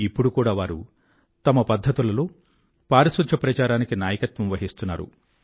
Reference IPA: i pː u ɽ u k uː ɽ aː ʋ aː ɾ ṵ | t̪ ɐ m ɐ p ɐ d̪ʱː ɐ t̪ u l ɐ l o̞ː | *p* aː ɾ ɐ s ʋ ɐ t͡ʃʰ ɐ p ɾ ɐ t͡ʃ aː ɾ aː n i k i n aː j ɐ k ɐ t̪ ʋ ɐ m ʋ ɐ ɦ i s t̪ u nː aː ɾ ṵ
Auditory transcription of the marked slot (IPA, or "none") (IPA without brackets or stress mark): p